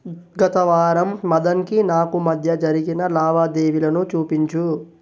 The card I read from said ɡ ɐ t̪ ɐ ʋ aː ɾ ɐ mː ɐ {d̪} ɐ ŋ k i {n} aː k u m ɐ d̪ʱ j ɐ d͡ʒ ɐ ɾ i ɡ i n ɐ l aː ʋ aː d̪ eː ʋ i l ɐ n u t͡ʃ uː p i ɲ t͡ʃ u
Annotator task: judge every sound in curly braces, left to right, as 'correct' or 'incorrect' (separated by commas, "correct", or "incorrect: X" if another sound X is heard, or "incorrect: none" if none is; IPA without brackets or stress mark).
correct, correct